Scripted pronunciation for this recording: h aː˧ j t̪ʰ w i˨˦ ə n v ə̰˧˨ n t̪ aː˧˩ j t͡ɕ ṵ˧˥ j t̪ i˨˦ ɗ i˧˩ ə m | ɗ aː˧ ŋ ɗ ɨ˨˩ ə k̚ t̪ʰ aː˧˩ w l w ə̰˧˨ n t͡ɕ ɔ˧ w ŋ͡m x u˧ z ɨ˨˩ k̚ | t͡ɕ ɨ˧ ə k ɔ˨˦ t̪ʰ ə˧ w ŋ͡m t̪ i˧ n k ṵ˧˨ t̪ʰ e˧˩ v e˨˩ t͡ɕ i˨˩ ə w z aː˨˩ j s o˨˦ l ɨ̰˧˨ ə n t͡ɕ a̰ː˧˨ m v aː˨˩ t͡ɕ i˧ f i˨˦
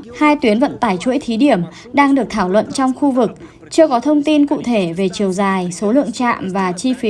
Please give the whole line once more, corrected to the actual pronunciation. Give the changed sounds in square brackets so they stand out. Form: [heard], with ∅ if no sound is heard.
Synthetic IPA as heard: h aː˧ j [t̪] w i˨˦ ə n v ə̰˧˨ n t̪ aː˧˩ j t͡ɕ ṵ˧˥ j [t̪ʰ] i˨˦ ɗ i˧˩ ə m | ɗ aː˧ ŋ ɗ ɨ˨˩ ə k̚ t̪ʰ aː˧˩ w l w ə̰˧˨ n t͡ɕ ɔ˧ w ŋ͡m x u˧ [v] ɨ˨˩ k̚ | t͡ɕ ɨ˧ ə k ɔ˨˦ t̪ʰ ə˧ w ŋ͡m t̪ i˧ n k ṵ˧˨ t̪ʰ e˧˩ v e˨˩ t͡ɕ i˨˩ ə w z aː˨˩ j s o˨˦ l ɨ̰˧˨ ə [ŋ] t͡ɕ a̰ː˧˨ m v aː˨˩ t͡ɕ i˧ f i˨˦